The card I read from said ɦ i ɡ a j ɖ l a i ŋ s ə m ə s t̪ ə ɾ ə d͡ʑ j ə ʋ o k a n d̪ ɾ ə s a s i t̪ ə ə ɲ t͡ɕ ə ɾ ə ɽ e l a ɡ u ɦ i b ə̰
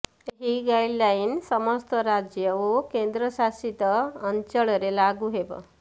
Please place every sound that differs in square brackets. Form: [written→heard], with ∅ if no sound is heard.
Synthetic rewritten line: ɦ i ɡ a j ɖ l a i [ŋ→n] s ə m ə s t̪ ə ɾ [ə→a] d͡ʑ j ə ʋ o k [a→e] n d̪ ɾ ə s a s i t̪ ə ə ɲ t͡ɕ ə [ɾ→ɭ] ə [ɽ→ɾ] e l a ɡ u ɦ [i→e] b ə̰